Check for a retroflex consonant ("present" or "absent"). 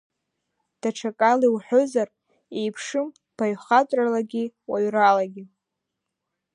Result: present